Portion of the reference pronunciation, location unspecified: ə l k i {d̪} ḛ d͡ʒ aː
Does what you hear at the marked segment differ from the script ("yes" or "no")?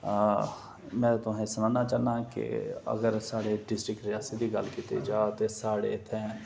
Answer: yes